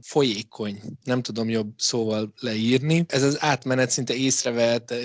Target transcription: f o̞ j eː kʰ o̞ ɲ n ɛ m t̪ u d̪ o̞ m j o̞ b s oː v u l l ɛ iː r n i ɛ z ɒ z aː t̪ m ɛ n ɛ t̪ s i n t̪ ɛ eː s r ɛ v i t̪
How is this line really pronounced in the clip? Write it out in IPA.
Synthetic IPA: f o̞ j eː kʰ o̞ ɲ n ɛ m t̪ u d̪ o̞ m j o̞ b s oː v ɒ l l ɛ iː r n i ɛ z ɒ z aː t̪ m ɛ n ɛ t̪ s i n t̪ ɛ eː s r ɛ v ɛ t̪